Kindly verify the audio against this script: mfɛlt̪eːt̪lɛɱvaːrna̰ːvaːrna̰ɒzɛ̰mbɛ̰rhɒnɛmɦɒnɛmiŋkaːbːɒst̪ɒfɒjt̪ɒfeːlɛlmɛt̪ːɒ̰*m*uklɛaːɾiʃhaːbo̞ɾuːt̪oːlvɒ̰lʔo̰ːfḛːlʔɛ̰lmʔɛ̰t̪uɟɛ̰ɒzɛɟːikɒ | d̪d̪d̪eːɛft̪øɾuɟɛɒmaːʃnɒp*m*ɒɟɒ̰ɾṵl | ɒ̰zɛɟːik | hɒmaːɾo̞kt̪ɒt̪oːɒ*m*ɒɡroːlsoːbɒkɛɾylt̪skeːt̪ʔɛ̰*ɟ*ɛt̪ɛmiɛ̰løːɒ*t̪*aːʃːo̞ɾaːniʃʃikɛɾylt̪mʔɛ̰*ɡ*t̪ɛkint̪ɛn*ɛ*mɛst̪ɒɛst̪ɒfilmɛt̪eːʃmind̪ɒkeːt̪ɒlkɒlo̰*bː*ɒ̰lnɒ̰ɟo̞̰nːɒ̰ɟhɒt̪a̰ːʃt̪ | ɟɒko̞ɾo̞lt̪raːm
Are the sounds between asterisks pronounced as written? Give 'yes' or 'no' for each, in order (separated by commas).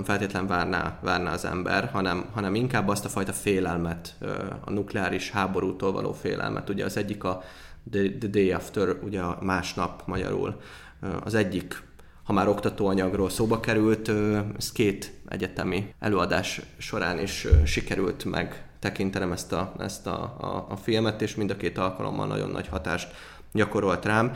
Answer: no, yes, no, yes, no, yes, yes, no